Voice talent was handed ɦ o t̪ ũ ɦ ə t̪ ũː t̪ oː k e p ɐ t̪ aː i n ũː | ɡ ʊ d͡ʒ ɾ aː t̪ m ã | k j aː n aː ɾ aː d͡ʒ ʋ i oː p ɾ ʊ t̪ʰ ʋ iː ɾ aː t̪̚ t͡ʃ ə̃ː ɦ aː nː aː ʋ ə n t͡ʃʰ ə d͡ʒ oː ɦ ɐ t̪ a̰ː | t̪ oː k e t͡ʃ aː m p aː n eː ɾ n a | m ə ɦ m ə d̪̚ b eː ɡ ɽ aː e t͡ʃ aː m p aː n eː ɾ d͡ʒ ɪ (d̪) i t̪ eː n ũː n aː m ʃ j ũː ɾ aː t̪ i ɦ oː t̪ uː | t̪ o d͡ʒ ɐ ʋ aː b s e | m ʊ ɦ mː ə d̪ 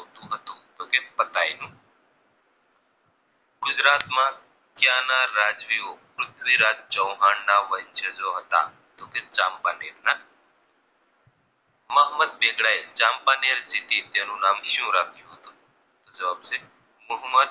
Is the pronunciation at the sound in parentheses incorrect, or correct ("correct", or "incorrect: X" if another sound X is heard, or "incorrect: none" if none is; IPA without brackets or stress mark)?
incorrect: t̪